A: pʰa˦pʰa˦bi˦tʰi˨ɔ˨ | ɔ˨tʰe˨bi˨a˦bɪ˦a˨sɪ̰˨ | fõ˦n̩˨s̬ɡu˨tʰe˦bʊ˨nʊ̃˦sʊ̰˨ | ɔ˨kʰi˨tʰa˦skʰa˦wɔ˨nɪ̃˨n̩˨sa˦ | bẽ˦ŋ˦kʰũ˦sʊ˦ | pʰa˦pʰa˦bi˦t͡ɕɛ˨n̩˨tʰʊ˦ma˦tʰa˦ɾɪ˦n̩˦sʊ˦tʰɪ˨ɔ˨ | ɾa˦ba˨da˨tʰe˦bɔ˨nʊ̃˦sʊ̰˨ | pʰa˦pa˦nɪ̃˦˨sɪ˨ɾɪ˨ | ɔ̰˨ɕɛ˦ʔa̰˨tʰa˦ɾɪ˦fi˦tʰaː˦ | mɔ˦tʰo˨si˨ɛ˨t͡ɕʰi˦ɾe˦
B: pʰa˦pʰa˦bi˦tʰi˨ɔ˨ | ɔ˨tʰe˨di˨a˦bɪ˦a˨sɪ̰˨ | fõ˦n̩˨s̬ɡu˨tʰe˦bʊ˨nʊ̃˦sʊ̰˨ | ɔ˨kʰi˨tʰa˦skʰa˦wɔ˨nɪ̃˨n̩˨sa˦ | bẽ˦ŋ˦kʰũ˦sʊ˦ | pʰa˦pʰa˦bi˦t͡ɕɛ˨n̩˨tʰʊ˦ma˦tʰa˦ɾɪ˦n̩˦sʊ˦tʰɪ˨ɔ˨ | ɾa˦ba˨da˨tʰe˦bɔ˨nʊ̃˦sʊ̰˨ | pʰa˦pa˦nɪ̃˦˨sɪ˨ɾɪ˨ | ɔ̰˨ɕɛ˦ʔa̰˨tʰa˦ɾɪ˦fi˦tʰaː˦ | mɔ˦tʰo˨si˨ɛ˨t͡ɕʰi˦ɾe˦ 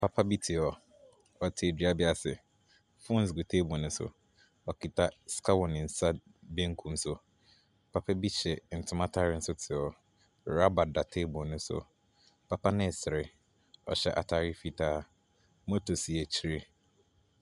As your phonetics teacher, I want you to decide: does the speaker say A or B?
B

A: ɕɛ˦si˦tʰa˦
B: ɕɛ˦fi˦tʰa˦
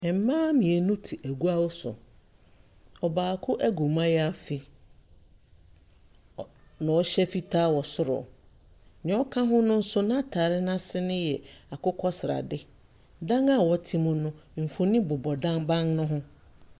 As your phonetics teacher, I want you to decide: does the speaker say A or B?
B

